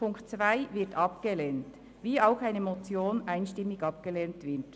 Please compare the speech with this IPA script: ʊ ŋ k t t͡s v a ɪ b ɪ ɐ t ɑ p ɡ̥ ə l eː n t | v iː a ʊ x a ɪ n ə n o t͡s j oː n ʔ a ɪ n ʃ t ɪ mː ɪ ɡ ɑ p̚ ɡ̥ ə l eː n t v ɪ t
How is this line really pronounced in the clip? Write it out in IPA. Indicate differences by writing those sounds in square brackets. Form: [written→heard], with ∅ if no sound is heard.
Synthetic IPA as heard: ʊ ŋ k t t͡s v a ɪ [b→v] ɪ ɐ t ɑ p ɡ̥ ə l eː n t | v iː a ʊ x a ɪ n ə [n→m] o t͡s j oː n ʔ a ɪ n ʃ t ɪ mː ɪ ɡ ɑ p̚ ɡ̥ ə l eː n t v ɪ t